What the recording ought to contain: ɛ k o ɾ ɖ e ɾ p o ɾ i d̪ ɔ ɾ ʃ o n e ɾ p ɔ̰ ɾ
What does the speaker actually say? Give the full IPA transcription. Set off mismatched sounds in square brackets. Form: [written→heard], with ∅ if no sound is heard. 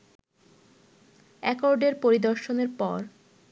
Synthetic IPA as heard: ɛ k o ɾ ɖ e ɾ p o ɾ i d̪ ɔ ɾ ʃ o n e ɾ p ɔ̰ ɾ